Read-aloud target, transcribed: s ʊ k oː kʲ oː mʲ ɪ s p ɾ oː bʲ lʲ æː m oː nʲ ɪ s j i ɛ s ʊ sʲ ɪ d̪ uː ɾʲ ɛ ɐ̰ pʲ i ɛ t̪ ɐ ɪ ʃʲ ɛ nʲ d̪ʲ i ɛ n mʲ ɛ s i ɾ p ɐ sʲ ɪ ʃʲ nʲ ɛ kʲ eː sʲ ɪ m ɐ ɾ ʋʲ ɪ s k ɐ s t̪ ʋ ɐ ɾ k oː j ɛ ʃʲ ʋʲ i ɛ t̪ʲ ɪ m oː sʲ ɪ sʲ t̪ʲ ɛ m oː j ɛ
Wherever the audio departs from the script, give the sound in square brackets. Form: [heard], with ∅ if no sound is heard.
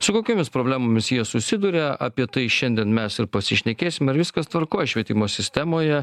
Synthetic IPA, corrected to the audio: s ʊ k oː kʲ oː mʲ ɪ s p ɾ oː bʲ lʲ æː m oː [mʲ] ɪ s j i ɛ s ʊ sʲ ɪ d̪ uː ɾʲ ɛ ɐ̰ pʲ i ɛ t̪ ɐ ɪ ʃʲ ɛ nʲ d̪ʲ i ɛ n mʲ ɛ s [ɪ] ɾ p ɐ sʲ ɪ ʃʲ nʲ ɛ kʲ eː sʲ ɪ m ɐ ɾ ʋʲ ɪ s k ɐ s t̪ ʋ ɐ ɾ k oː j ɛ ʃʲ ʋʲ i ɛ t̪ʲ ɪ m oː sʲ ɪ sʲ t̪ʲ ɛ m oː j ɛ